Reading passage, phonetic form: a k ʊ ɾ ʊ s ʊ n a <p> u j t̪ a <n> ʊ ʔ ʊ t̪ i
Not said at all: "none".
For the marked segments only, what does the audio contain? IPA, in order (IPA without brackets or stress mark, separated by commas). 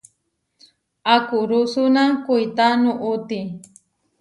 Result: k, n